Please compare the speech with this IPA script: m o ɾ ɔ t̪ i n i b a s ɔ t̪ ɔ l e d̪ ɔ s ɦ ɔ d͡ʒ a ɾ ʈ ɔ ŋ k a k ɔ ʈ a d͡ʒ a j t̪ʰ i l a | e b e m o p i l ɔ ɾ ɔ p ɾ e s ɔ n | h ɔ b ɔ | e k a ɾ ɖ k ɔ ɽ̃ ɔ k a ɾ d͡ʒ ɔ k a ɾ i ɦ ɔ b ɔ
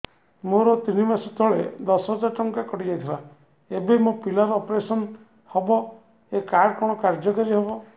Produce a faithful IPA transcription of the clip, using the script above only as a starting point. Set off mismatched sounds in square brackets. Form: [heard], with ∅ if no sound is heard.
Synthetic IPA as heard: m o ɾ ɔ t̪ i n i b a s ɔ t̪ ɔ [ɭ] e d̪ ɔ s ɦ ɔ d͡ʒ a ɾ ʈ ɔ ŋ k a k ɔ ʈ [i] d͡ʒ a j t̪ʰ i l a | e b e m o p i l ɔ ɾ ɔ p ɾ e s ɔ n | h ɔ b ɔ | e k a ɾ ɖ k ɔ ɽ̃ ɔ k a ɾ d͡ʒ ɔ k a ɾ i ɦ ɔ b ɔ